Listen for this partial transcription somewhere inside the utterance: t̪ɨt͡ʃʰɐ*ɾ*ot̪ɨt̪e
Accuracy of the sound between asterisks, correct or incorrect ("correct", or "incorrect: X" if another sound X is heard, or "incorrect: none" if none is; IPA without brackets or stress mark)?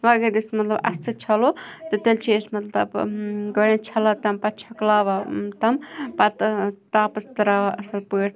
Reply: incorrect: l